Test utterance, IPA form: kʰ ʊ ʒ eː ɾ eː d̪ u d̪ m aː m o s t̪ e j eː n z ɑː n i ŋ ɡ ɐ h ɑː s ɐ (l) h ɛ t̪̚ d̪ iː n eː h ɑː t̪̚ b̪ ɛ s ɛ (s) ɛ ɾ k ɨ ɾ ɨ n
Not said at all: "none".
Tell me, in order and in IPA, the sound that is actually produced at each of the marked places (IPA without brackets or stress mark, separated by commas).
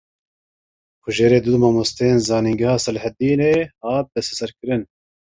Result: l, s